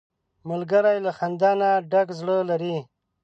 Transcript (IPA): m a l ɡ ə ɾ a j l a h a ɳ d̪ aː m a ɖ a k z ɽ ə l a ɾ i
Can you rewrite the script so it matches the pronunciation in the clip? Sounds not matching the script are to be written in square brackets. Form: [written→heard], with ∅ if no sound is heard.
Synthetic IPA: m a l ɡ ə ɾ a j l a [h→x] a [ɳ→n] d̪ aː [m→n] a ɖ a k z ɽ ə l a ɾ i